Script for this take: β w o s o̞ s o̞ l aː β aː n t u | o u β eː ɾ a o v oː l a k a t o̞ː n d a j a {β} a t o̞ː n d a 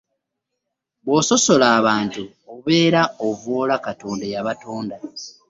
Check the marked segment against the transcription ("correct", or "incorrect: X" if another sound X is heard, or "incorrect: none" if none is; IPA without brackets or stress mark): correct